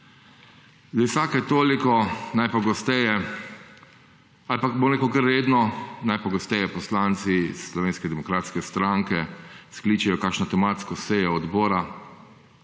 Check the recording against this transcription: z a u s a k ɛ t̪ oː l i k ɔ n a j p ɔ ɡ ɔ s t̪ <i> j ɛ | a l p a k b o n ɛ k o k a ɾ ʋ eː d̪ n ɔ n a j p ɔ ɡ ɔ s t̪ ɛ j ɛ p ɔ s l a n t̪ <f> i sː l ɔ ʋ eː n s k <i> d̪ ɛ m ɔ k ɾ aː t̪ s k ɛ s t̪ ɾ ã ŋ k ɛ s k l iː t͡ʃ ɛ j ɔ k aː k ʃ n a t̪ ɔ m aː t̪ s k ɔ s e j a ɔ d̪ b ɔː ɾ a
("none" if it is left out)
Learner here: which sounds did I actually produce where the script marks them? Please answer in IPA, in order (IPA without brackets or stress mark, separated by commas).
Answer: ɛ, s, ɛ